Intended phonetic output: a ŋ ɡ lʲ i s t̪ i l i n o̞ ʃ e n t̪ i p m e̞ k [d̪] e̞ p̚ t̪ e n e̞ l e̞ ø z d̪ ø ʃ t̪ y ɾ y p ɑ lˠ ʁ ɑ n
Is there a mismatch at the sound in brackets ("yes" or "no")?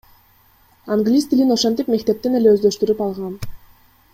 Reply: yes